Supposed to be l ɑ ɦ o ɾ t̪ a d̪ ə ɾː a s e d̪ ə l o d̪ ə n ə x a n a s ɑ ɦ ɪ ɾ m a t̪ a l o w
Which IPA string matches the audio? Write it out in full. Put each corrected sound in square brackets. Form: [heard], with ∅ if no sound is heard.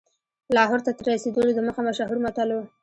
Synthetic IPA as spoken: l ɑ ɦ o ɾ t̪ a [t̪] ə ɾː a s e d̪ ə l o d̪ ə [m] ə x a [m] a [ʃ] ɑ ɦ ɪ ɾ m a t̪ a l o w